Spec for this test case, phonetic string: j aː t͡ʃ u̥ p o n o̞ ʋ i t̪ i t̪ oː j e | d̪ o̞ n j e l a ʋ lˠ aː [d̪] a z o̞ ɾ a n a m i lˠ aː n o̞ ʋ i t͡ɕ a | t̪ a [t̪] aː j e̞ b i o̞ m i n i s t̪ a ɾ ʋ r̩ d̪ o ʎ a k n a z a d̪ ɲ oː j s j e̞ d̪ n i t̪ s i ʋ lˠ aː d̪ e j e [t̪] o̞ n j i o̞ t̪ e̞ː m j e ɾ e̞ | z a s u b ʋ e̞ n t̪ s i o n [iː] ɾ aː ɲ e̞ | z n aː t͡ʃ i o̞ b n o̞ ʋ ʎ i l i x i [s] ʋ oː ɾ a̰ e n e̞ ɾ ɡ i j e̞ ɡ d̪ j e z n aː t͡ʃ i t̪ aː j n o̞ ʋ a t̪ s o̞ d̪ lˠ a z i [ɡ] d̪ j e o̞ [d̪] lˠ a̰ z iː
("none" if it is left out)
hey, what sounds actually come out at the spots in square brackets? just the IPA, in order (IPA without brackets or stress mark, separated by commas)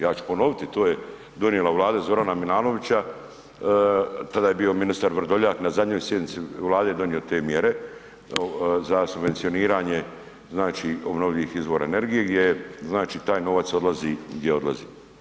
d̪, d̪, d̪, iː, z, ɡ, d̪